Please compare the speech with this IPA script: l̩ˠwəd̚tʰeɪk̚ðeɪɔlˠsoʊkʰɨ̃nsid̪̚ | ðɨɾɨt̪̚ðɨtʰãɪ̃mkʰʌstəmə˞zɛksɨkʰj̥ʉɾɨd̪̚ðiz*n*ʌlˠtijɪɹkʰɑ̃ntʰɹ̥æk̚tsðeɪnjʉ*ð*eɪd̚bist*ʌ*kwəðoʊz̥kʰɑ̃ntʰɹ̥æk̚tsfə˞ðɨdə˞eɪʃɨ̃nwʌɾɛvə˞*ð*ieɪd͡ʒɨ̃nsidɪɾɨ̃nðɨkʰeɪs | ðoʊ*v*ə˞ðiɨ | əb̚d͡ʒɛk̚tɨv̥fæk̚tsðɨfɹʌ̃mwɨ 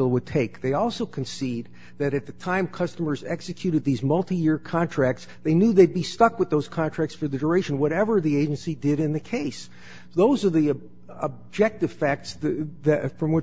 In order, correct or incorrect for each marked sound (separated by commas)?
incorrect, correct, correct, correct, incorrect